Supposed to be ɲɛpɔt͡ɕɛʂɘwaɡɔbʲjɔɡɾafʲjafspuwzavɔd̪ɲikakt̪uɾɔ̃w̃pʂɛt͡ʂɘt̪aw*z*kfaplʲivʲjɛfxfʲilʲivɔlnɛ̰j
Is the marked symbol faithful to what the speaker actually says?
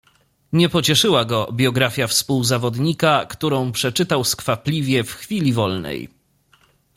no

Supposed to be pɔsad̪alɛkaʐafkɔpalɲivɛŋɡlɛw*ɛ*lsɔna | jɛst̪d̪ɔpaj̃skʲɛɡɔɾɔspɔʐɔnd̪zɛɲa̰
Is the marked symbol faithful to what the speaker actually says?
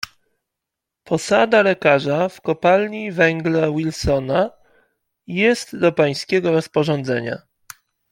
no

